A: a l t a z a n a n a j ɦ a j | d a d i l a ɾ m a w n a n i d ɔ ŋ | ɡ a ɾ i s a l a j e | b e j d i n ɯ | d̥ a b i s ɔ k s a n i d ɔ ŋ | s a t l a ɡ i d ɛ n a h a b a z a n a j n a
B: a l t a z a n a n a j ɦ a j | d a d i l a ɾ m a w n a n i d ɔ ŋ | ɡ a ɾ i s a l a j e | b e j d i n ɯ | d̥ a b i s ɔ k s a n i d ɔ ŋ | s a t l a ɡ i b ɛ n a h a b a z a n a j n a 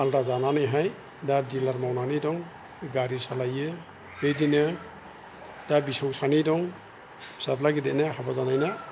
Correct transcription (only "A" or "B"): A